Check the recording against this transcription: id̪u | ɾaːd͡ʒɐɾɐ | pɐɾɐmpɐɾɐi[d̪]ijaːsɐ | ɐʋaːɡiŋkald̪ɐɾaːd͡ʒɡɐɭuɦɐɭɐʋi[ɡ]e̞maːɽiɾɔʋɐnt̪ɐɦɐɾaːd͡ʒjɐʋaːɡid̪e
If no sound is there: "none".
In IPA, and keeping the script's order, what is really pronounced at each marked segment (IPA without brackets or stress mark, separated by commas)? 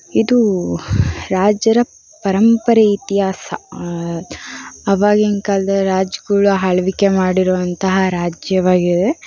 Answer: t̪, k